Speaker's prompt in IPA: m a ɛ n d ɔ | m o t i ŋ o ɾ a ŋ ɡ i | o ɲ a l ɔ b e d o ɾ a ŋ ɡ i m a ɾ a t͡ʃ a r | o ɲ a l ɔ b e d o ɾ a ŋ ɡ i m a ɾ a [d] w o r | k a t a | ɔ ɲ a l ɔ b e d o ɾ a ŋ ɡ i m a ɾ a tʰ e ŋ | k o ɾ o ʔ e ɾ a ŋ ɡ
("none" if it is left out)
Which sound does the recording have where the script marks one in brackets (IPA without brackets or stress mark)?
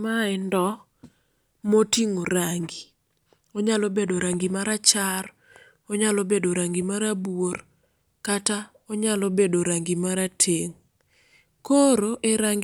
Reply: b